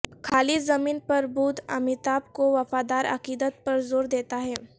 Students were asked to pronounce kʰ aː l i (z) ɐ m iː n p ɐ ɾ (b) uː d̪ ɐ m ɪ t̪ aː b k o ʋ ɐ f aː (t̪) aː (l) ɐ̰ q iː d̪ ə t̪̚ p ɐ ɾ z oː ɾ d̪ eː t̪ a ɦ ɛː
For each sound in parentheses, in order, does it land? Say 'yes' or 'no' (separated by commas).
yes, yes, no, no